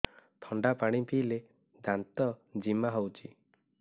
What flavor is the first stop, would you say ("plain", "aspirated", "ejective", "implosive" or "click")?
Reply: aspirated